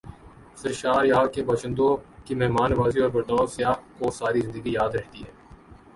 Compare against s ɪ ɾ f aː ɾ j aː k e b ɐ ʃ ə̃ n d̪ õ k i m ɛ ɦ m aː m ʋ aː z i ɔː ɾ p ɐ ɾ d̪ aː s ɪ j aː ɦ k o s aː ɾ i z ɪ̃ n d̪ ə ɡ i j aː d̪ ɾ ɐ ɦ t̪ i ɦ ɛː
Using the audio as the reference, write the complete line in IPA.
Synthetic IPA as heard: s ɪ ɾ ʃ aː ɾ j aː k e b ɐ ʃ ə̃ n d̪ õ k i m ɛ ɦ m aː n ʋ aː z i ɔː ɾ b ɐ ɾ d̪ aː s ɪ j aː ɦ k o s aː ɾ i z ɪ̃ n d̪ ə ɡ i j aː d̪ ɾ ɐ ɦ t̪ i ɦ ɛː

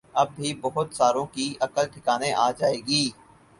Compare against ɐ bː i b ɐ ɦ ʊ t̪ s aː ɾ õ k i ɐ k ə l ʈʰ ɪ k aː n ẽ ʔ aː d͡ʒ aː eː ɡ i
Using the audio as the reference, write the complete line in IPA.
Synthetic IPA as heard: ɐ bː i b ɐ ɦ ʊ t̪ s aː ɾ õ k i ɐ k ə l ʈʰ ɪ k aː n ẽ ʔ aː d͡ʒ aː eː ɡ iː

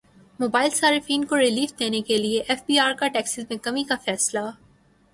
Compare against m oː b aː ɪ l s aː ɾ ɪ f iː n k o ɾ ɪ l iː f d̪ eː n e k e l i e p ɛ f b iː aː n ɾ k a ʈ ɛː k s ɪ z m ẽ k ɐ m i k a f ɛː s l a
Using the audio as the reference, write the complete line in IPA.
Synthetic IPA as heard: m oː b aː ɪ l s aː ɾ ɪ f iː n k o ɾ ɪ l iː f d̪ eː n e k e l i e ʔ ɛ f b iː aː ɾ k a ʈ ɛː k s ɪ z m ẽ k ɐ m i k a f ɛː s l a

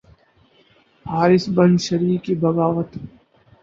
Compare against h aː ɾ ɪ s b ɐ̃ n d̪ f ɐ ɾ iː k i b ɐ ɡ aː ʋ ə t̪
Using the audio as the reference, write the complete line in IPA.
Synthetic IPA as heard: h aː ɾ ɪ s b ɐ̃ n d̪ ʃ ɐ ɾ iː k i b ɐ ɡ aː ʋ ə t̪

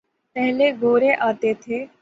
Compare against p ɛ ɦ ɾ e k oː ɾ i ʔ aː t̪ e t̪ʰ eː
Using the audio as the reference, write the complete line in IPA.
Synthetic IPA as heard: p ɛ ɦ l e ɡ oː ɾ e ʔ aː t̪ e t̪ʰ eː

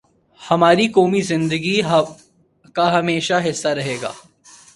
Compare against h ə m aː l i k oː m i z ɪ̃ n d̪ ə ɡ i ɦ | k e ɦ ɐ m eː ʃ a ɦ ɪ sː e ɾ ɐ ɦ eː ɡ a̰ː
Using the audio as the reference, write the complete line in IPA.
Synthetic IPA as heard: h ɐ m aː ɾ i k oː m i z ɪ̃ n d̪ ə ɡ i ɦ | k a ɦ ɐ m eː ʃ a ɦ ɪ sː a ɾ ɐ ɦ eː ɡ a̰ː

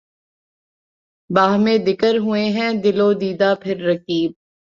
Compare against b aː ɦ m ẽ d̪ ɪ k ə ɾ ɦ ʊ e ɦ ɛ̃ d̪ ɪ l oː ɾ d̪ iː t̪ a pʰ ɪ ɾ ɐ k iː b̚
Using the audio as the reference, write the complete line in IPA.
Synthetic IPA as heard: b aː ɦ m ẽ d̪ ɪ k ə ɾ ɦ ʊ e ɦ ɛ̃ d̪ ɪ l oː d̪ iː d̪ a pʰ ɪ ɾː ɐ k iː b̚

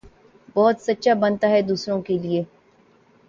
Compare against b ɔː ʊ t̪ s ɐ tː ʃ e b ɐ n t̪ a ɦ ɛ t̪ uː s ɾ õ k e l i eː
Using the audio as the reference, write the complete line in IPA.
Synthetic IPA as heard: b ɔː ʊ t̪ s ɐ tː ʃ a b ɐ n t̪ a ɦ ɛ d̪ uː s ɾ õ k e l i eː

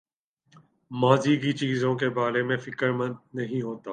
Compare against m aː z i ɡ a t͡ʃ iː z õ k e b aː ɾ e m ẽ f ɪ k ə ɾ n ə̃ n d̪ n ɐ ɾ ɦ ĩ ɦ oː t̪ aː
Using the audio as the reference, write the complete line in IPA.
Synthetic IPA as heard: m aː z i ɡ i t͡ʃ iː z õ k e b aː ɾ e m ẽ f ɪ k ə ɾ m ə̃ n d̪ n ɐ ɦ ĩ ɦ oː t̪ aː

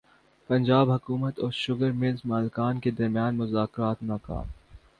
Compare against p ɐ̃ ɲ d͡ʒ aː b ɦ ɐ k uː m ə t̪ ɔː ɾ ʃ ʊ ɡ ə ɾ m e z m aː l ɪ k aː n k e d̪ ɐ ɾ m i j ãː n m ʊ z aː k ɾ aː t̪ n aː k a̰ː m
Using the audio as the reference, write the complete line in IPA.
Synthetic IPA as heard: p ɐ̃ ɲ d͡ʒ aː b ɦ ɐ k uː m ə t̪ ɔː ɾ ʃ ʊ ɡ ə ɾ m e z m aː l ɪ k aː n k e d̪ ɐ ɾ m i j aː n m ʊ z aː k ɾ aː t̪ n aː k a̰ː m

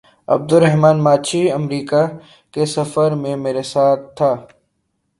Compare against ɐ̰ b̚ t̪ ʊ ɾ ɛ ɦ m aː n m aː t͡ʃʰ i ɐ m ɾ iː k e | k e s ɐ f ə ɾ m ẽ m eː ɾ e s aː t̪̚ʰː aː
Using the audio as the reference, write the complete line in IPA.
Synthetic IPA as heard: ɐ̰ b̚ d̪ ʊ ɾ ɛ ɦ m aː n m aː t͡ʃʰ i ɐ m ɾ iː k a | k e s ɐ f ə ɾ m ẽ m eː ɾ e s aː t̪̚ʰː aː

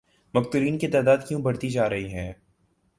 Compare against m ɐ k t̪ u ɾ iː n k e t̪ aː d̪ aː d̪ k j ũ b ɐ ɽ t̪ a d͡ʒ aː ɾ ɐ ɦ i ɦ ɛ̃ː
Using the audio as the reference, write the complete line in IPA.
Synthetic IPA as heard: m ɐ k t̪ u ɾ iː n k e t̪ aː d̪ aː d̪ k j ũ b ɐ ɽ t̪ i d͡ʒ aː ɾ ɐ ɦ i ɦ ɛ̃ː

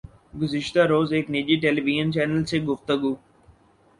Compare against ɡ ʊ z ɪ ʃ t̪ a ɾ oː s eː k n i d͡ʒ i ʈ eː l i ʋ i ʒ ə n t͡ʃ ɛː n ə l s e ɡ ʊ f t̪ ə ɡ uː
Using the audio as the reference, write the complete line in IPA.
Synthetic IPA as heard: ɡ ʊ z ɪ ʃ t̪ a ɾ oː z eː k n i d͡ʒ i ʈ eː l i ʋ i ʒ ə n t͡ʃ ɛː n ə l s e ɡ ʊ f t̪ ə ɡ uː

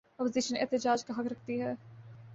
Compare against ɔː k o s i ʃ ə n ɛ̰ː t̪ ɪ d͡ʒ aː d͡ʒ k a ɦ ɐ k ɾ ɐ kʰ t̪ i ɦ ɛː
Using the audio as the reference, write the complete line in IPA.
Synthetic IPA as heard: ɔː p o z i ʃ ə n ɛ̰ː t̪ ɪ d͡ʒ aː d͡ʒ k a ɦ ɐ k ɾ ɐ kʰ t̪ i ɦ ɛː

